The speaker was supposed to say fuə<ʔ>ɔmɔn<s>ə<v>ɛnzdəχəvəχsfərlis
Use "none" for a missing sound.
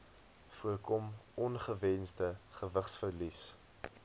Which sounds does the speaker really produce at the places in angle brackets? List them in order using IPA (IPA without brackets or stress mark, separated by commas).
k, χ, v